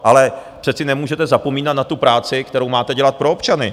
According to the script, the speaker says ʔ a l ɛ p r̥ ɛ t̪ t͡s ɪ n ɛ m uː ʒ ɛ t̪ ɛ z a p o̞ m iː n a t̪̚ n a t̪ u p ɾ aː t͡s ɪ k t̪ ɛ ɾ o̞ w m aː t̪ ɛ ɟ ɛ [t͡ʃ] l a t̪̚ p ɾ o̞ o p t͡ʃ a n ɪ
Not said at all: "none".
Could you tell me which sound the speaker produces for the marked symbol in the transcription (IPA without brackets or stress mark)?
none